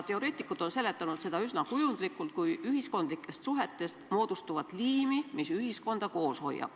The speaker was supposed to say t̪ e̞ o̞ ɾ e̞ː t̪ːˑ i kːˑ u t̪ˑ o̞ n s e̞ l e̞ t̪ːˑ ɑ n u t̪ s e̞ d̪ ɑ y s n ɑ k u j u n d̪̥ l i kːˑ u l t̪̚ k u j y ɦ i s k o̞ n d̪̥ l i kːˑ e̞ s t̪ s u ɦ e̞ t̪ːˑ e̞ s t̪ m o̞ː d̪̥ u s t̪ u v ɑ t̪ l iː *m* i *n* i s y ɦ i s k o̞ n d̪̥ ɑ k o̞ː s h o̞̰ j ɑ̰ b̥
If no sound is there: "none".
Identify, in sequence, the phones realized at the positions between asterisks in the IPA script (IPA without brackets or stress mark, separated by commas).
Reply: m, m